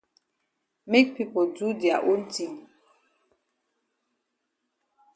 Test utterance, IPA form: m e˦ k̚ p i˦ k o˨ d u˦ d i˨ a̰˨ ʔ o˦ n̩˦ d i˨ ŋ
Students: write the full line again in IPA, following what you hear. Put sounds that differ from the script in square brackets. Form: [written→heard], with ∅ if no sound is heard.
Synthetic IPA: m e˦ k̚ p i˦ [k→p] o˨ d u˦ d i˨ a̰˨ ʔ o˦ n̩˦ [d→t] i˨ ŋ